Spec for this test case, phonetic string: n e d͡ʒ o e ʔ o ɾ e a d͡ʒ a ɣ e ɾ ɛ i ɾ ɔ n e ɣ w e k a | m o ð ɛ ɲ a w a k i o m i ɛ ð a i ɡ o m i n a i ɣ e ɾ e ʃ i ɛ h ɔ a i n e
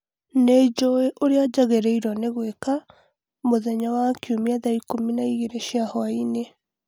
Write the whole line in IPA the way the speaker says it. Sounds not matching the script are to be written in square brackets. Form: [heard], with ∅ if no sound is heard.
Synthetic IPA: n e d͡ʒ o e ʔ o ɾ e a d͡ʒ a ɣ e ɾ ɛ i ɾ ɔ n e ɣ w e k a | m o ð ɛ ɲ a w a k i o m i [a] ð a i [k] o m i n a i ɣ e ɾ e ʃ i [a] h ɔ a i n e